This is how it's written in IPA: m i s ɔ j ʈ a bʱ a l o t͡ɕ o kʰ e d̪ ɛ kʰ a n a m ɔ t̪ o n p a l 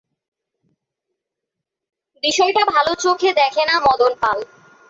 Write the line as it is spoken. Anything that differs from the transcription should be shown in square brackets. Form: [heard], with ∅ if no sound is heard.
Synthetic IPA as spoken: [b] i [ʃ] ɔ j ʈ a bʱ a l o t͡ɕ o kʰ e d̪ ɛ kʰ [e] n a m ɔ [d̪] o n p a l

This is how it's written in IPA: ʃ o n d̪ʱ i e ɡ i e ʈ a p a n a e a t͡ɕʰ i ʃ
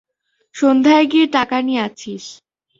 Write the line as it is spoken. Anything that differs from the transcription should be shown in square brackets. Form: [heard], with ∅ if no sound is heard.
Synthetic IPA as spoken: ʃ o n d̪ʱ [a] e ɡ i e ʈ a [k] a n [i] e a t͡ɕʰ i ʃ

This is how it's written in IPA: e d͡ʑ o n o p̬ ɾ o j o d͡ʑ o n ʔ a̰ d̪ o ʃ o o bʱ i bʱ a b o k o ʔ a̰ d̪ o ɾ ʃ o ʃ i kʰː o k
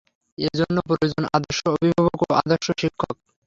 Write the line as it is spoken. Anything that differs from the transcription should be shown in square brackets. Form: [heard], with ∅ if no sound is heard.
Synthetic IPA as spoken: e d͡ʑ o [nː] o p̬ ɾ o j o d͡ʑ o n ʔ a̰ d̪ o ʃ o o bʱ i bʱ a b o k o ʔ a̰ d̪ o ɾ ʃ o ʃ i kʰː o k

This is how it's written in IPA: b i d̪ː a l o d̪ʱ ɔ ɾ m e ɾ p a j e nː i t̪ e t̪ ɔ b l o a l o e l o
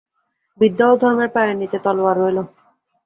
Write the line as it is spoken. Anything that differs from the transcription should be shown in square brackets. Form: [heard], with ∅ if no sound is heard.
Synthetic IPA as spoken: b i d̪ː a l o d̪ʱ ɔ ɾ m e ɾ p a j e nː i t̪ e t̪ ɔ [∅] l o a [ɾ] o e l o

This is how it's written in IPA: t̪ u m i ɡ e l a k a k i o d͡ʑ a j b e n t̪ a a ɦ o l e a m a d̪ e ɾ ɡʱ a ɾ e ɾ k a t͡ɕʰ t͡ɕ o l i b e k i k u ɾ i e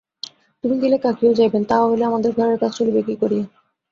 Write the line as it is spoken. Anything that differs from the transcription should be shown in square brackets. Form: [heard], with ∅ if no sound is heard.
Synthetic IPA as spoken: t̪ u m i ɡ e l [e] k a k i o d͡ʑ a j b e n t̪ a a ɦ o l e a m a d̪ e ɾ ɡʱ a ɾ e ɾ k a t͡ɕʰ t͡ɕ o l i b e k i k [o] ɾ i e

